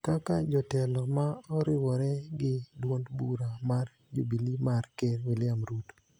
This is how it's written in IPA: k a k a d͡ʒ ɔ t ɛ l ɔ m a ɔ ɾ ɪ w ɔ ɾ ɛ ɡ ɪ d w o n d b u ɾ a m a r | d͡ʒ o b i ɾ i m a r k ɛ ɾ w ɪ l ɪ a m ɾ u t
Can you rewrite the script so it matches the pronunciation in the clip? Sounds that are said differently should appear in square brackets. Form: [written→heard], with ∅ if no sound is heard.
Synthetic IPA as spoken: k a k a d͡ʒ ɔ t ɛ l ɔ m a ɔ ɾ ɪ w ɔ ɾ ɛ ɡ ɪ d w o n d b u ɾ a m a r | d͡ʒ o b i [ɾ→l] i m a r k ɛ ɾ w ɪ l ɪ a m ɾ u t